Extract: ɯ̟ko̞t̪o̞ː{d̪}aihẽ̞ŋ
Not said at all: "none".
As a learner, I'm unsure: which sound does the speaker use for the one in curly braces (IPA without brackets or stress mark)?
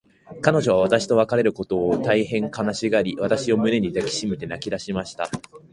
t̪